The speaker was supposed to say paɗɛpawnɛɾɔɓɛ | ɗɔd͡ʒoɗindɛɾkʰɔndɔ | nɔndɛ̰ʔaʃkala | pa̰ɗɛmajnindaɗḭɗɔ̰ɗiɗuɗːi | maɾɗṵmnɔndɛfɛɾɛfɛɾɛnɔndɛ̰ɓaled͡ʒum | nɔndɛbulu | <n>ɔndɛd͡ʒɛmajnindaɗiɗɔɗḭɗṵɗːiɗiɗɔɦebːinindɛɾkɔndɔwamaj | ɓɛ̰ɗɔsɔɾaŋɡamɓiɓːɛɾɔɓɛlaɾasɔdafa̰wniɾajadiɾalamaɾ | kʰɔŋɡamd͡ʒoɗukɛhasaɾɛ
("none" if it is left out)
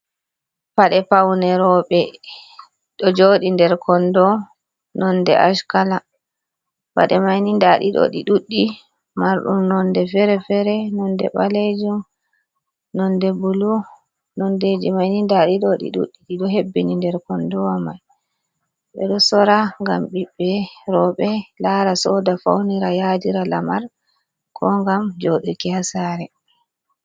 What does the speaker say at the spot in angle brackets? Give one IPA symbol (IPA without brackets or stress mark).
n